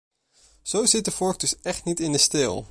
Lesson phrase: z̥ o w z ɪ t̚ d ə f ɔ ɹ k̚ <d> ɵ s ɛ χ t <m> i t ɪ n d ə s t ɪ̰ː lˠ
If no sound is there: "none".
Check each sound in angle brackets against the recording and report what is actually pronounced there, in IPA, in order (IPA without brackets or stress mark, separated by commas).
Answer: d, n